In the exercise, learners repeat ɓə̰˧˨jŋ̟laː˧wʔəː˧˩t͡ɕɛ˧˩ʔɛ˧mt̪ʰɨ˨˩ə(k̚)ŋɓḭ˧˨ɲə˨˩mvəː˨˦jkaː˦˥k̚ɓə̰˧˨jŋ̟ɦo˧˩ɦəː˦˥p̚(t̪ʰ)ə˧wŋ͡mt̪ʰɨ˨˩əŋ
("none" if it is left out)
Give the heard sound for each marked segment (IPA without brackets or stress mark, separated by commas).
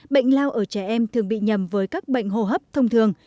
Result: none, t̪ʰ